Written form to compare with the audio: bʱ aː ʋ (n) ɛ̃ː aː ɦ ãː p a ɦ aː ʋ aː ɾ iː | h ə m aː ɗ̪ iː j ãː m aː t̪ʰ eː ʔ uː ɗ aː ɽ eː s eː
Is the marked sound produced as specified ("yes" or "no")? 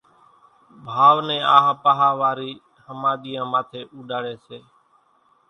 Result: yes